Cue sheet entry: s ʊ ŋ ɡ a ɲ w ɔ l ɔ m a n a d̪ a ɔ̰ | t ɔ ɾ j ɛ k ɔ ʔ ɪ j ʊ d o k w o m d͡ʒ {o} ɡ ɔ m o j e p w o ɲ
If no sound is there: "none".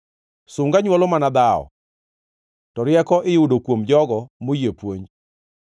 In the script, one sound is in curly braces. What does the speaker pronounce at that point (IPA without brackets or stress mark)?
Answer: ɔ